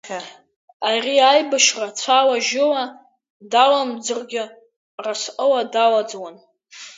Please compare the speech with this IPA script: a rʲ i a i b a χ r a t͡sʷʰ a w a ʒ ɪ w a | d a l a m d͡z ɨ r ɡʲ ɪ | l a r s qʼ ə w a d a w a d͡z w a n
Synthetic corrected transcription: a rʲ i a j b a ʃ r a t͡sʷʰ a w a ʒ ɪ w a | d a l a m d͡z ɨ r ɡʲ ɪ | r a s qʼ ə w a d a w a d͡z w a n